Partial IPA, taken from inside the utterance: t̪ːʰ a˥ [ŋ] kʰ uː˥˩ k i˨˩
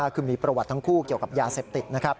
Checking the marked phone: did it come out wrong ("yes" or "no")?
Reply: no